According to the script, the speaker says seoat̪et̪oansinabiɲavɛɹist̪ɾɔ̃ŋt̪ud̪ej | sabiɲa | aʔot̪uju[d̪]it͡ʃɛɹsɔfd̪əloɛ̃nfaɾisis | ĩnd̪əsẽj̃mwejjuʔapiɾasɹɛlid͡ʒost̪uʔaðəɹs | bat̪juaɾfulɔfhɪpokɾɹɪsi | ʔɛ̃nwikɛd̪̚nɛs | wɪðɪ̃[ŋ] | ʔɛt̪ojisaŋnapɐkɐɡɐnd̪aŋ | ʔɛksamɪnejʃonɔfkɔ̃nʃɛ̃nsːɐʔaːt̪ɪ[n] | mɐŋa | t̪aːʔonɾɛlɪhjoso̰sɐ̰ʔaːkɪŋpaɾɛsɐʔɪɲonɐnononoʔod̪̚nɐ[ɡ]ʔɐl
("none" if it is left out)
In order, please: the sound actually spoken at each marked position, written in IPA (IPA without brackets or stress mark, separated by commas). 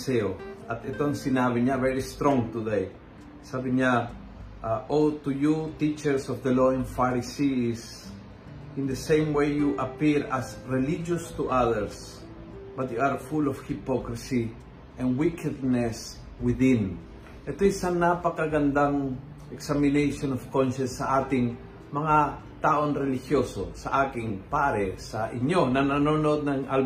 t̪, n, ŋ, ŋ